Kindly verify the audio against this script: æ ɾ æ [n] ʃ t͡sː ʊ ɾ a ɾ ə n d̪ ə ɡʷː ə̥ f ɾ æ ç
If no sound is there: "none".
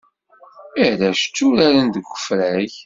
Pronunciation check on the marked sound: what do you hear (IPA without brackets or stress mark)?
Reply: none